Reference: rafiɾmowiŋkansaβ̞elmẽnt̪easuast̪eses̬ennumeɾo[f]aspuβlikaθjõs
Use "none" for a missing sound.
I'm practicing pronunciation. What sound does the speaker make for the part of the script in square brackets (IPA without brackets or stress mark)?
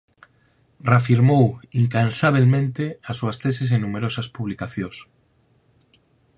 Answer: s